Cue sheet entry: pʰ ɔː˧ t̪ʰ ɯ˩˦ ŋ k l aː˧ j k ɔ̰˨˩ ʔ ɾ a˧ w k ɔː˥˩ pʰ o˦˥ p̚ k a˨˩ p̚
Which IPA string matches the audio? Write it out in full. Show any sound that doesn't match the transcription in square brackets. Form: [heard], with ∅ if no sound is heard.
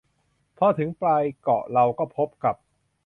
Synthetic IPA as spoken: pʰ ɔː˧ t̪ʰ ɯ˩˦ ŋ [p] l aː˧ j k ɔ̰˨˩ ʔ ɾ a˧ w k ɔː˥˩ pʰ o˦˥ p̚ k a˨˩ p̚